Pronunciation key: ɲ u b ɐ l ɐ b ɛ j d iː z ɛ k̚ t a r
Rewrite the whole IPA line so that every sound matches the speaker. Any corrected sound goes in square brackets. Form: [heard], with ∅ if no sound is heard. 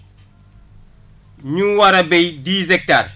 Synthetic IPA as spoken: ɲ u [w] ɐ [ɾ] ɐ b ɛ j d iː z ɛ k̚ t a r